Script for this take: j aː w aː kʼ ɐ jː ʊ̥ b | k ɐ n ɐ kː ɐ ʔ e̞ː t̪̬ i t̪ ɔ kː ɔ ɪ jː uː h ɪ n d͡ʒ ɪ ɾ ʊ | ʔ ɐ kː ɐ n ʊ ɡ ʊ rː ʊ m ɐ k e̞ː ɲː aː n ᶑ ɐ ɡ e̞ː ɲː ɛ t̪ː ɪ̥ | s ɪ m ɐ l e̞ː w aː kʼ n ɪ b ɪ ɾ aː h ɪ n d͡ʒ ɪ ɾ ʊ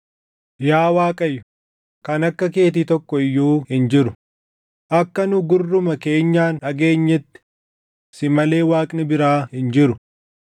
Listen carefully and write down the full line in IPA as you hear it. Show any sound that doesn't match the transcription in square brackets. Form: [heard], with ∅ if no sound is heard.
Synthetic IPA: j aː w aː kʼ ɐ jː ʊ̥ [∅] | k ɐ n ɐ kː ɐ [k] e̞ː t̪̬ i t̪ ɔ kː ɔ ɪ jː uː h ɪ n d͡ʒ ɪ ɾ ʊ | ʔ ɐ kː ɐ n ʊ ɡ ʊ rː ʊ m ɐ k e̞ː ɲː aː n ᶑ ɐ ɡ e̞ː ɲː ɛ t̪ː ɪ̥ | s ɪ m ɐ l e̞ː w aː kʼ n ɪ b ɪ ɾ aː h ɪ n d͡ʒ ɪ ɾ ʊ